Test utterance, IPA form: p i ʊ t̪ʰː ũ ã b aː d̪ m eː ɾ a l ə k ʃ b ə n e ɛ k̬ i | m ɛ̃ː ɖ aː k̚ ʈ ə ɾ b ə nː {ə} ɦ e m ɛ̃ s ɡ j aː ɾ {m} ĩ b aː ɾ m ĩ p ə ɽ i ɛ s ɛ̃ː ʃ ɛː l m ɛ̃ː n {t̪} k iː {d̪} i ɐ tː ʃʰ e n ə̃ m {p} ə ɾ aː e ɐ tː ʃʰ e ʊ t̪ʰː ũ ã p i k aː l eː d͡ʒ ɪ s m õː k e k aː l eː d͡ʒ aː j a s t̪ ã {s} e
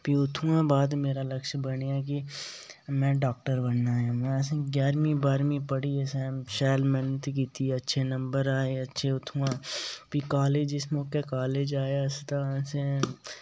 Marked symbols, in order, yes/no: no, yes, yes, no, no, yes

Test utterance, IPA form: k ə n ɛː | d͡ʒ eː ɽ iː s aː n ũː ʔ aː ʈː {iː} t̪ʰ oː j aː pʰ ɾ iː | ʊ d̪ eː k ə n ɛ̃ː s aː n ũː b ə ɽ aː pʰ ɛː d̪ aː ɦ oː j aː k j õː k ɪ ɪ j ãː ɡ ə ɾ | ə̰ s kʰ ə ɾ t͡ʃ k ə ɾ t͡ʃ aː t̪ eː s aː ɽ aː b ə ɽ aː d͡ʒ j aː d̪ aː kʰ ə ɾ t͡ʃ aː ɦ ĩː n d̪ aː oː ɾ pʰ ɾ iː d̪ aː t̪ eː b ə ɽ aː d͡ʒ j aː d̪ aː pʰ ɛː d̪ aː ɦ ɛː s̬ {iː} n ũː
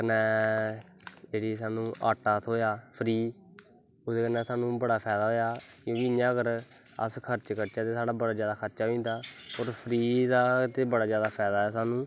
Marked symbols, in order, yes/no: no, no

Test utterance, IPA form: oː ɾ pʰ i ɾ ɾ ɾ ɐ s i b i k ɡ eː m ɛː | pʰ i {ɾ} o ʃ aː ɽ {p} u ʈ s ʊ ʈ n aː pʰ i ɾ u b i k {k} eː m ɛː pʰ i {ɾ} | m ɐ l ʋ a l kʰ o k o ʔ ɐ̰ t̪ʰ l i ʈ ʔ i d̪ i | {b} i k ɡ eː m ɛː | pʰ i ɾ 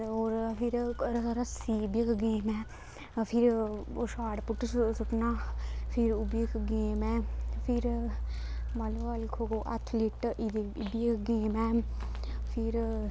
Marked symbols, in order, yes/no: yes, yes, no, yes, yes

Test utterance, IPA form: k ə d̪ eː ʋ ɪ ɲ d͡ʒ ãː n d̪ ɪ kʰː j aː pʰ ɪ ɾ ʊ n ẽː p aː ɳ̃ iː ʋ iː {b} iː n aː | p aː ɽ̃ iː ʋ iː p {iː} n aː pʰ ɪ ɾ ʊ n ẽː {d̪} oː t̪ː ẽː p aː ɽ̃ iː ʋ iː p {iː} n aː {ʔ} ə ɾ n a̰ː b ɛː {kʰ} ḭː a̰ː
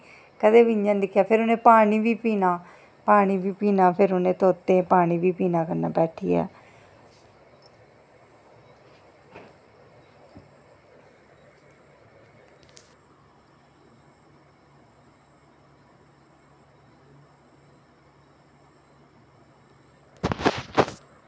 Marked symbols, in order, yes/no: no, yes, no, yes, no, no

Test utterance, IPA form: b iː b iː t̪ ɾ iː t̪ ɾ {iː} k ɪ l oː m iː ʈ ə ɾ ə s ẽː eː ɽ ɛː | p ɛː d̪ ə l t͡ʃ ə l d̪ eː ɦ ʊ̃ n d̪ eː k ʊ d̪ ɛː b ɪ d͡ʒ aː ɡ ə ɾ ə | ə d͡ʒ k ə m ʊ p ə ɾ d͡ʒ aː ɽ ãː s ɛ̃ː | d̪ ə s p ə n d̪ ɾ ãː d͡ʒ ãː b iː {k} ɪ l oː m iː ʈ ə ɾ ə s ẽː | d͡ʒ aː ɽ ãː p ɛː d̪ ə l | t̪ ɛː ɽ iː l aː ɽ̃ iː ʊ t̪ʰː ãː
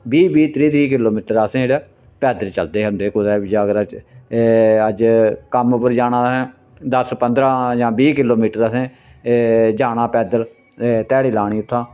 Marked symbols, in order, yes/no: yes, yes

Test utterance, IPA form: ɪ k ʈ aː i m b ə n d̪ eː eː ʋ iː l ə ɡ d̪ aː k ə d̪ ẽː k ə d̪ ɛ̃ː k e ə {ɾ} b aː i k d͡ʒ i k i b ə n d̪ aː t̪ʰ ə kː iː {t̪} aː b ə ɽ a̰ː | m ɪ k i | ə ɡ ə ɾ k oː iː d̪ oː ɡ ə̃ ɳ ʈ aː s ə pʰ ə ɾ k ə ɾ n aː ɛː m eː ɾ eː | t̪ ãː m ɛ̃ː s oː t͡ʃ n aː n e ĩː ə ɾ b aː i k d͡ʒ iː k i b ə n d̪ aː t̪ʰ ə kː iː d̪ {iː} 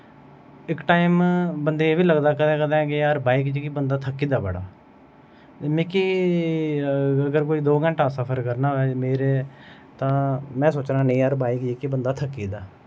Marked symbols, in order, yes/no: yes, no, no

